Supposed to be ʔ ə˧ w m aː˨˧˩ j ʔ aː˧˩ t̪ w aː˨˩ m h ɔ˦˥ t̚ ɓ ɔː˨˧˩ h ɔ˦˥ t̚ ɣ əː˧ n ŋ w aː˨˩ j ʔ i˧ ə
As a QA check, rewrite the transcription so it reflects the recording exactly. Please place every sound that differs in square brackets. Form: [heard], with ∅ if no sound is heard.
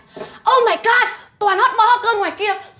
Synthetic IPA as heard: ʔ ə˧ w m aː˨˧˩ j [k] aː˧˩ t̪ w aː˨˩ [n] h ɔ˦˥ t̚ ɓ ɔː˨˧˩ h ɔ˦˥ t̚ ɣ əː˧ n ŋ w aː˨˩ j [k] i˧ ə